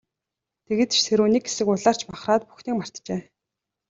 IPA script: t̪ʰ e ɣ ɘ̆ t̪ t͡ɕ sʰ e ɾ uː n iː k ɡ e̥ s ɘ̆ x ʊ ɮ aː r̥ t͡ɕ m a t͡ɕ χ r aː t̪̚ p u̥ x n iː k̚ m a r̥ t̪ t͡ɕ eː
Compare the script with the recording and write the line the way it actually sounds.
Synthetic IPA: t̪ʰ e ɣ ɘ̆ t̪ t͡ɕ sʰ e ɾ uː n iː k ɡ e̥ s ɘ̆ k ʊ ɮ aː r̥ t͡ɕ m a χ r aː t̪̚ p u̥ x n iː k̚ m a r̥ t̪ t͡ɕ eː